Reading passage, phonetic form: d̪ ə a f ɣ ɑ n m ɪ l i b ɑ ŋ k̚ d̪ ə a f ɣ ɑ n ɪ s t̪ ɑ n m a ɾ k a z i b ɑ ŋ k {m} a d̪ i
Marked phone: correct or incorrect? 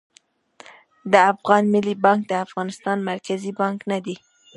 incorrect